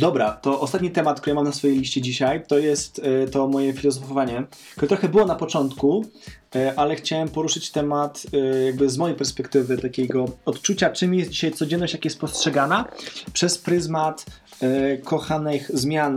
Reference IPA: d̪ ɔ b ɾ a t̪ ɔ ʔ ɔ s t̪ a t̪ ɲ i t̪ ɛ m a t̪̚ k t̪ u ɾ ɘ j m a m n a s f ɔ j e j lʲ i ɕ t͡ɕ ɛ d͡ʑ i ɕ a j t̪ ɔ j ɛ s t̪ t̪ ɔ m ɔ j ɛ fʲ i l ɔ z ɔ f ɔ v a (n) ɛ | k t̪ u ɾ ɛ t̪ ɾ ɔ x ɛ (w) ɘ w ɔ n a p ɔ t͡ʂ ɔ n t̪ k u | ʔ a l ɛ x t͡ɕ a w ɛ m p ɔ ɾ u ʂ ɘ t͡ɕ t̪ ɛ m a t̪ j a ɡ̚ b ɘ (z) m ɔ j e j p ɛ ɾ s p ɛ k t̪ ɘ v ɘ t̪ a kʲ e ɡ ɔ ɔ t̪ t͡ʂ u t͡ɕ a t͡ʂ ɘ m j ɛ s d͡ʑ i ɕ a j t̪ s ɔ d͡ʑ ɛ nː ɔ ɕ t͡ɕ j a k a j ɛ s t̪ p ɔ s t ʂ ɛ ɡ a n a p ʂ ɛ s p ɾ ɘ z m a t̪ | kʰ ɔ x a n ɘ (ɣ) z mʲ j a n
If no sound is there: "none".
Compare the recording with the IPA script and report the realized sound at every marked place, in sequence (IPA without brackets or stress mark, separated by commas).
ɲ, b, z, x